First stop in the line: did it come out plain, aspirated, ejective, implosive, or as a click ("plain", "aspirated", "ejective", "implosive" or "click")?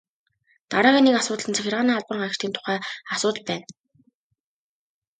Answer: plain